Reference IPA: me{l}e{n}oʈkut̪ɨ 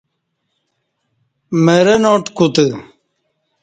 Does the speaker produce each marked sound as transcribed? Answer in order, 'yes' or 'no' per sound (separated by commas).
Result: no, yes